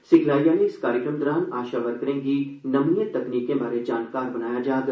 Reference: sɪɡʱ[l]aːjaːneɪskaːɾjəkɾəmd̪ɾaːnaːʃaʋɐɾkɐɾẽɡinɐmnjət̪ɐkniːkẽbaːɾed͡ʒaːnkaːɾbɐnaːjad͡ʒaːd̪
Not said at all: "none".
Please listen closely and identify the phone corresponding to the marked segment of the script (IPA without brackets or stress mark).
l